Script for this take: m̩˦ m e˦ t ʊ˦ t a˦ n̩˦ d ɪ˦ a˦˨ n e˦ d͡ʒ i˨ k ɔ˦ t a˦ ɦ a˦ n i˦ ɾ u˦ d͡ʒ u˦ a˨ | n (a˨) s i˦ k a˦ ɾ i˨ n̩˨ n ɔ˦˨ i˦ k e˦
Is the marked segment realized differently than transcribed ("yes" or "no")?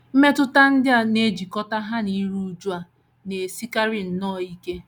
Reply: yes